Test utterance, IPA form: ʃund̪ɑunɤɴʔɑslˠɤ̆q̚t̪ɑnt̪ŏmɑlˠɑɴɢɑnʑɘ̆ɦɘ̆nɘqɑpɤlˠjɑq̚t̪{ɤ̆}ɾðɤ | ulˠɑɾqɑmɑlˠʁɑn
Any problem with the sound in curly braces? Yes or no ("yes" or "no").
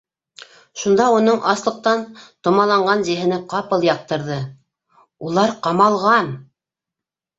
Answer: no